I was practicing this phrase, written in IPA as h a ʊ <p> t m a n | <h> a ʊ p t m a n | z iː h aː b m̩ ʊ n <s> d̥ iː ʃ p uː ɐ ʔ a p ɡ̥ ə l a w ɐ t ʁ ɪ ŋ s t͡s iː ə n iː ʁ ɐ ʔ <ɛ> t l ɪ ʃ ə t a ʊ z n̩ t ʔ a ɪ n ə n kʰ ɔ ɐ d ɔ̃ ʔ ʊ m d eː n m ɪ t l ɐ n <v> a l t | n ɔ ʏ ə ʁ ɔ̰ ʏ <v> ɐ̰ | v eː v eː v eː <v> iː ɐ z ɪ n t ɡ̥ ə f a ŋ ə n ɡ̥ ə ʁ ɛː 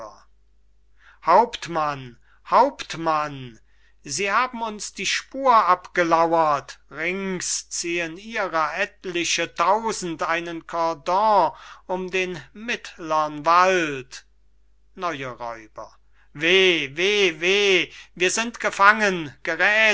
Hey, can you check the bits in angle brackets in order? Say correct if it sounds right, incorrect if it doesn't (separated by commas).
correct, correct, correct, correct, correct, incorrect, correct